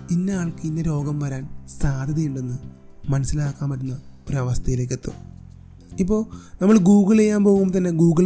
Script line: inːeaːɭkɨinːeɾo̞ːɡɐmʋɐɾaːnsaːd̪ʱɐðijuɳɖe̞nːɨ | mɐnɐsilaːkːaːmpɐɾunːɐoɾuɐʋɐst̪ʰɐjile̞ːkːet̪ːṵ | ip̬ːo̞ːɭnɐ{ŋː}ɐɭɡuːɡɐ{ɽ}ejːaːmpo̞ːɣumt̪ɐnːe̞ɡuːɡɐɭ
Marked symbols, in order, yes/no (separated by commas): no, no